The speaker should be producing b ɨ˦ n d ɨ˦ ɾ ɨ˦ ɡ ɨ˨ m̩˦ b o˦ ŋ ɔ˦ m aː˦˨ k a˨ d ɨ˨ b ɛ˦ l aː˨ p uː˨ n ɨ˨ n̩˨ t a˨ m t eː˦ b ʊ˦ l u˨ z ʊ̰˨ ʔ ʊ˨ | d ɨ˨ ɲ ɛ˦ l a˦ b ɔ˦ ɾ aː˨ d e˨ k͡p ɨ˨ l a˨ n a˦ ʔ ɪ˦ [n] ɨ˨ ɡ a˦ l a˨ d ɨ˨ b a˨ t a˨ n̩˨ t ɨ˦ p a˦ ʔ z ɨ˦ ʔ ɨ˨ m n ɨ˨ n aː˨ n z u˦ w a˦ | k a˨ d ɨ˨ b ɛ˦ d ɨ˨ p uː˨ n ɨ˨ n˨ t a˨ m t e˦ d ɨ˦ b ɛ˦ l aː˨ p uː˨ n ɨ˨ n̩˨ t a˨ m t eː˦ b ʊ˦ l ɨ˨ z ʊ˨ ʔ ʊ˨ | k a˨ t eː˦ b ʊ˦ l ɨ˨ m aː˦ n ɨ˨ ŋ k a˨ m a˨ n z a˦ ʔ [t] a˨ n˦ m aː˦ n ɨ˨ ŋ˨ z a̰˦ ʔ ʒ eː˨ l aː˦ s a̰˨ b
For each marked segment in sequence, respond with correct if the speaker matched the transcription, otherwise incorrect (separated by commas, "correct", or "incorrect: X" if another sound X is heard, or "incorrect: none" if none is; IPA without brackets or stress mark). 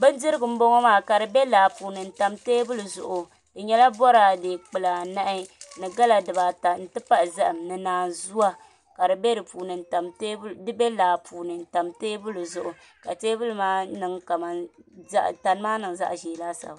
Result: correct, correct